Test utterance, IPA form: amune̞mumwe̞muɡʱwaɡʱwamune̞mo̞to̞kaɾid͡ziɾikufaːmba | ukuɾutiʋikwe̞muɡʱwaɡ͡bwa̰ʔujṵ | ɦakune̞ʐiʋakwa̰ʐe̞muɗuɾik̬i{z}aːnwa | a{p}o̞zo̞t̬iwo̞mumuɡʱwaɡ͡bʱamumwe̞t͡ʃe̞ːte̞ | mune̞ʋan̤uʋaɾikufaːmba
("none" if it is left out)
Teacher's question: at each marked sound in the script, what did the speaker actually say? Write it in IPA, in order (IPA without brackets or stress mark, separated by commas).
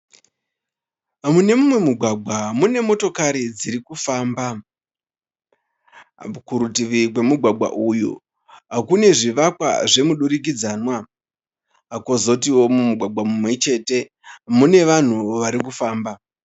d͡z, k